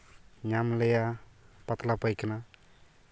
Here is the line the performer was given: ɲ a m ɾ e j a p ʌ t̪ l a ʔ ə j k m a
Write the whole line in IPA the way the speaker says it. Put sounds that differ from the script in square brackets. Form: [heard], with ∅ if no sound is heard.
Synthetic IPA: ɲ a m [l] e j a p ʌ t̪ l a [p] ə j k [n] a